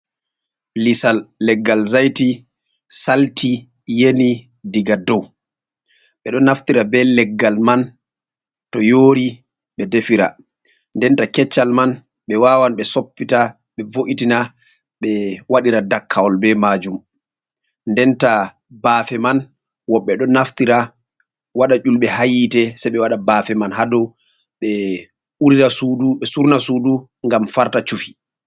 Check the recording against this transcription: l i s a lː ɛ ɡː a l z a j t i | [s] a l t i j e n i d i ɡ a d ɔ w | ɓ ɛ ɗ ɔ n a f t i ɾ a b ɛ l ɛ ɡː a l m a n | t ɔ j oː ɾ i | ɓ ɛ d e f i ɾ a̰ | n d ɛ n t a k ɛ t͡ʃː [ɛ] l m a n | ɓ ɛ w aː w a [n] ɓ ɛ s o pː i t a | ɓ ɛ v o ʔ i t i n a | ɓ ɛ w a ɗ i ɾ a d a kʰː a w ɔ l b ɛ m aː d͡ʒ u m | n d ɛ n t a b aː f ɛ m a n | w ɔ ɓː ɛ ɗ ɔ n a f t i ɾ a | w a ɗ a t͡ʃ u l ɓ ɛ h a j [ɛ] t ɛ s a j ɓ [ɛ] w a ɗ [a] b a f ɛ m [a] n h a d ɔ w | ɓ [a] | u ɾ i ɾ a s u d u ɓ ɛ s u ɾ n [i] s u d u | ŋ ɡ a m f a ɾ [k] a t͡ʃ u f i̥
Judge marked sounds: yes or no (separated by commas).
yes, no, yes, no, yes, yes, yes, no, no, no